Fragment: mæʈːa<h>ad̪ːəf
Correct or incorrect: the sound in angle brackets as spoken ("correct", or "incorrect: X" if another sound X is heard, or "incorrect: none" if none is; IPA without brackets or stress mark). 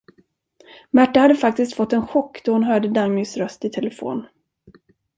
correct